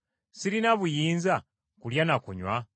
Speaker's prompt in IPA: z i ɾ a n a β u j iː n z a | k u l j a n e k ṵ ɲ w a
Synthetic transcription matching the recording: s i ɾ i n a β u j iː n z a | k u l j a n a k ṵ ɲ w a